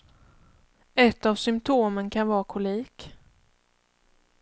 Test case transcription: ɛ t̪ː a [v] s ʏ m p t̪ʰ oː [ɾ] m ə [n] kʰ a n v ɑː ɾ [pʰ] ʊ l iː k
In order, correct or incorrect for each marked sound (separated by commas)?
correct, incorrect, correct, incorrect